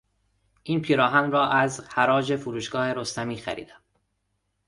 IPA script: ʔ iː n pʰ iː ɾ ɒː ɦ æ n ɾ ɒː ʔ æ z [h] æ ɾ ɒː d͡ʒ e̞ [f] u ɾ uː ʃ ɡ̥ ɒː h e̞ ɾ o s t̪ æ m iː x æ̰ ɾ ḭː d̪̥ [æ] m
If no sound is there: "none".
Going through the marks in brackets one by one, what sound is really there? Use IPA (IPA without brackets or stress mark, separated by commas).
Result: h, f, æ